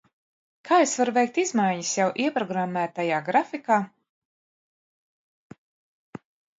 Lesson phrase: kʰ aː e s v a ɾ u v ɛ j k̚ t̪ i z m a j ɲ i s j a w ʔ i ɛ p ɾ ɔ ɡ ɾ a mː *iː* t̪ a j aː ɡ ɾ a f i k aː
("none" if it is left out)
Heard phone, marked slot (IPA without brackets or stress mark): æː